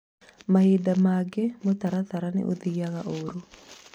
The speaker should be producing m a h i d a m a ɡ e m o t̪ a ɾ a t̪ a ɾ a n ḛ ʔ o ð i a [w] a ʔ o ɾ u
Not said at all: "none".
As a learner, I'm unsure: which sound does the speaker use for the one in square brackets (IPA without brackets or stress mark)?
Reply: ɣ